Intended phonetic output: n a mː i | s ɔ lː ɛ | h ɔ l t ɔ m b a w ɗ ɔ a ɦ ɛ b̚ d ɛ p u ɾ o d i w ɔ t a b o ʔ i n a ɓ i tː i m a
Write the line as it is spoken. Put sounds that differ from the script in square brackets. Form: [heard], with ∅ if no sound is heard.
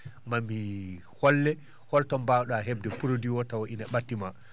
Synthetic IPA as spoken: [m] a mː i | [h] ɔ lː ɛ | h ɔ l t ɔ m b a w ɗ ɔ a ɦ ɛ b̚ d ɛ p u ɾ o d i w ɔ t a [w] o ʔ i n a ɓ [a] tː i m a